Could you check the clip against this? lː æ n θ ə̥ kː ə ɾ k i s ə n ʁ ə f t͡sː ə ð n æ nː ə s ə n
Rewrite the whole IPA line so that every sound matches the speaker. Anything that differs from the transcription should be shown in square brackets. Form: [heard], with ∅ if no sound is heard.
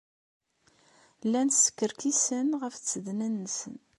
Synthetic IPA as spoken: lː æ n [s] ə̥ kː ə ɾ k i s ə n ʁ ə f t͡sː ə ð n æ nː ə s ə n